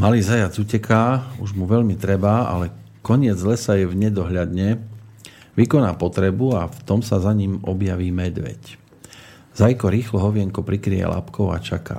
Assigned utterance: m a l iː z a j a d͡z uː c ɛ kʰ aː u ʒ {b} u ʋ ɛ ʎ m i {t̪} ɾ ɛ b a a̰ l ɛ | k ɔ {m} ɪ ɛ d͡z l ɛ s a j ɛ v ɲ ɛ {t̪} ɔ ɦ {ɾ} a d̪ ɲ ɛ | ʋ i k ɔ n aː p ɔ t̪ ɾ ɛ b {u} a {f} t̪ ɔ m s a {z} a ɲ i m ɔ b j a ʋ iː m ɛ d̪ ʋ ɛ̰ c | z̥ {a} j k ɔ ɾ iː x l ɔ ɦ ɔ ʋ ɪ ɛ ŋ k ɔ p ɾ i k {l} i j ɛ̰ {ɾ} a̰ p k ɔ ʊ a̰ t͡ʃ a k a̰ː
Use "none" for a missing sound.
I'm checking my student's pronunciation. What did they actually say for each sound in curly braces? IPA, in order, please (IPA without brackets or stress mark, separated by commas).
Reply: m, t̪, ɲ, d̪, ʎ, u, f, z, a, ɾ, l